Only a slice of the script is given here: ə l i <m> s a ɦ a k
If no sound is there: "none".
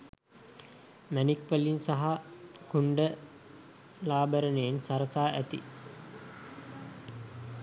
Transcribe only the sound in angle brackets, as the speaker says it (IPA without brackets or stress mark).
n